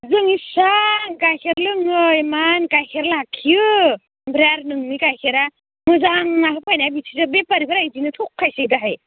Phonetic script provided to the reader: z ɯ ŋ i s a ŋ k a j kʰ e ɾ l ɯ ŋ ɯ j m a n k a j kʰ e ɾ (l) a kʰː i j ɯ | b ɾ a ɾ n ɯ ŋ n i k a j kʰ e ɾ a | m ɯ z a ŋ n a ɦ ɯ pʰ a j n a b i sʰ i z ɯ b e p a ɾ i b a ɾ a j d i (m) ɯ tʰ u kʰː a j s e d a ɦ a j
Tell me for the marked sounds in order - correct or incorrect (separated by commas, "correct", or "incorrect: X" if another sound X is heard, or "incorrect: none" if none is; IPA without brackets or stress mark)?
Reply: correct, incorrect: n